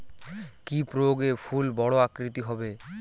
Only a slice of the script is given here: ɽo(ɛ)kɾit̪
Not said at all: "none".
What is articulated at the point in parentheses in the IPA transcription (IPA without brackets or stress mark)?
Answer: a